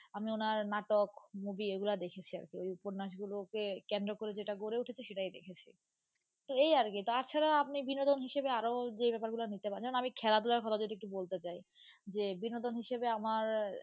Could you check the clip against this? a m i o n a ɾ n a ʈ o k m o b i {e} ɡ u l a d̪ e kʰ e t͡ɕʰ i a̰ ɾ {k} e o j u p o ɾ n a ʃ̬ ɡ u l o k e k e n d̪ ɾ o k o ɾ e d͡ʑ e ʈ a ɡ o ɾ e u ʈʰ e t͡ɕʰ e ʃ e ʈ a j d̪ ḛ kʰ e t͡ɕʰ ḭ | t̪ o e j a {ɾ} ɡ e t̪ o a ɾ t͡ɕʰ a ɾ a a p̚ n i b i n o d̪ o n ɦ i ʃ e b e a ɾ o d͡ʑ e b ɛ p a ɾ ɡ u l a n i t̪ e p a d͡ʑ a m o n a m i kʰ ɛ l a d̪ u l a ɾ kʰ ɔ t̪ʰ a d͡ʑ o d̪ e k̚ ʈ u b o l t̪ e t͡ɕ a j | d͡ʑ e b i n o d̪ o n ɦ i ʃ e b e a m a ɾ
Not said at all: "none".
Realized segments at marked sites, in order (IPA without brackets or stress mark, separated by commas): e, k, ɾ